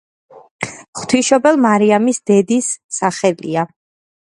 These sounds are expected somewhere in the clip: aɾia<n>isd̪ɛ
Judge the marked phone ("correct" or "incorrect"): incorrect